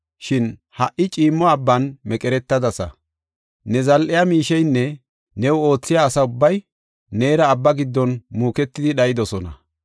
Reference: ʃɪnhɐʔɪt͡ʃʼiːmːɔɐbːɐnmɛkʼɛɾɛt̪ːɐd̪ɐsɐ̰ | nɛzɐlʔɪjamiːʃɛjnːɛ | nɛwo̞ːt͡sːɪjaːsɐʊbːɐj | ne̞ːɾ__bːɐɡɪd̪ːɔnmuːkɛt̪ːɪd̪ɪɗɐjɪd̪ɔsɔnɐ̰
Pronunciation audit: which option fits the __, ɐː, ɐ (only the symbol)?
ɐː